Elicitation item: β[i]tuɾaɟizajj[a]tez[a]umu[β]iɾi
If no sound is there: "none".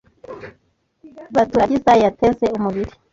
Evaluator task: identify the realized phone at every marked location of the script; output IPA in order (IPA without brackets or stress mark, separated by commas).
a, a, e, β